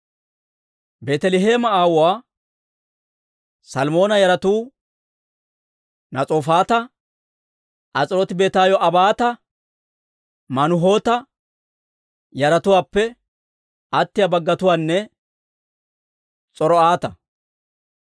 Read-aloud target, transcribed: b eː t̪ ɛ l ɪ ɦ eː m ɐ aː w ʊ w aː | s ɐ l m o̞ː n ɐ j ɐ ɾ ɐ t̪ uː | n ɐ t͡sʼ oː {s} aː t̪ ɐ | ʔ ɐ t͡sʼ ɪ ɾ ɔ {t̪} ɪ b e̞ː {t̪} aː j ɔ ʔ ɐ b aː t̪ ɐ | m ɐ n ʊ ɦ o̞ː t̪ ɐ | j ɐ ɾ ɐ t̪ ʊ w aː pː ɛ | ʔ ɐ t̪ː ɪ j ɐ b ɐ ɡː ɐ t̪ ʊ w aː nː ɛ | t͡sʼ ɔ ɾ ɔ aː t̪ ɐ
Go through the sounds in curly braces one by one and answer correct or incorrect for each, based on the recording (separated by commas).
incorrect, correct, correct